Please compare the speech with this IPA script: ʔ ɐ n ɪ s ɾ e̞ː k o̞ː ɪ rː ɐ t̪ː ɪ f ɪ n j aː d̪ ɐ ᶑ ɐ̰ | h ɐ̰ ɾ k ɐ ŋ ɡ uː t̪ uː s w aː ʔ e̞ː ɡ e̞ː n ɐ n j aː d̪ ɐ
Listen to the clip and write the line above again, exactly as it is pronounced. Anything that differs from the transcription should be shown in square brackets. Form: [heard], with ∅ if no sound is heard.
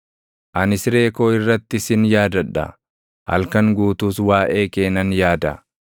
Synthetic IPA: ʔ ɐ n ɪ s ɾ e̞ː k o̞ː ɪ rː ɐ t̪ː ɪ [s] ɪ n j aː d̪ ɐ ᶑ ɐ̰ | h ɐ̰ [l] k ɐ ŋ ɡ uː t̪ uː s w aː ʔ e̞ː [k] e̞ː n ɐ n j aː d̪ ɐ